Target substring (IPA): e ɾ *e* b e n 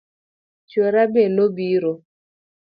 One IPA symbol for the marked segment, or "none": a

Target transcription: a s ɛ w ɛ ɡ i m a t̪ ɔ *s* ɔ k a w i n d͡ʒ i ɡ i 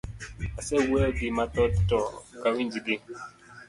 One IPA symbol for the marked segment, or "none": t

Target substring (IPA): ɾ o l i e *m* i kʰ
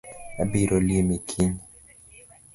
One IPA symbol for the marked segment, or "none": m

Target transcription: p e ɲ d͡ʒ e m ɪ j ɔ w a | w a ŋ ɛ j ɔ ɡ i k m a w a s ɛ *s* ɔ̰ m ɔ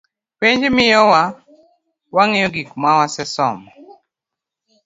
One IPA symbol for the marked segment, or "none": s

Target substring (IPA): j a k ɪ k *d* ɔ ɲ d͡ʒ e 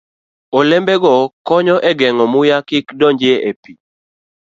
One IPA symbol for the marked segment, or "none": d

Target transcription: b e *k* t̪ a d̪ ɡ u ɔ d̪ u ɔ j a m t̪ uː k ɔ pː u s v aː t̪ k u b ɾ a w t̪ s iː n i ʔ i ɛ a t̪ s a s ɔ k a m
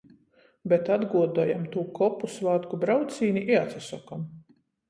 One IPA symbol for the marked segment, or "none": none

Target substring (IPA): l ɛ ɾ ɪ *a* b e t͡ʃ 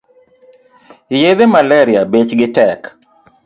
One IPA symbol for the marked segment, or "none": a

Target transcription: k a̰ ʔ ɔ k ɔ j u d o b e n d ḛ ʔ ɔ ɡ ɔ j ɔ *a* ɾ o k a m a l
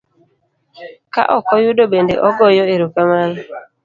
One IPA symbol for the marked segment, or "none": e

